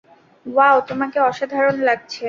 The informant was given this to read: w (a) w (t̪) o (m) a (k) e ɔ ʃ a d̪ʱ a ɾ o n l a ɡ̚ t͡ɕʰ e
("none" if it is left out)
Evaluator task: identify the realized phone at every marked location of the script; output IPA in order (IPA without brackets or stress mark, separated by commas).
a, t̪, m, k